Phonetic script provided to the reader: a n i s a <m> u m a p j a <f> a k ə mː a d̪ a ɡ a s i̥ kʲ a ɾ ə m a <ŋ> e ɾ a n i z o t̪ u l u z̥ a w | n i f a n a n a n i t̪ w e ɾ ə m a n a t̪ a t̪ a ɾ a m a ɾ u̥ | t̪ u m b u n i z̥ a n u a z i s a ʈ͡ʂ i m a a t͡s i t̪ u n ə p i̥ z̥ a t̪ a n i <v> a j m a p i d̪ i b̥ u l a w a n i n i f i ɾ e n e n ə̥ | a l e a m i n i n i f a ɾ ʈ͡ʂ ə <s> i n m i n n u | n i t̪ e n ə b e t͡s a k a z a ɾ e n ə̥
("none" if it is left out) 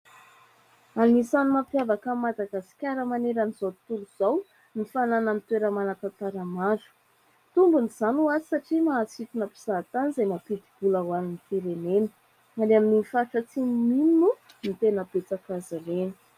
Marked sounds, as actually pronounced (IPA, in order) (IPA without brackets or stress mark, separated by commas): n, v, n, z, t͡s